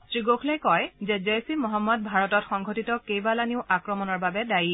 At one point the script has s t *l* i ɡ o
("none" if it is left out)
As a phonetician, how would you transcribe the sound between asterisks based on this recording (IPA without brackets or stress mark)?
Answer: ɹ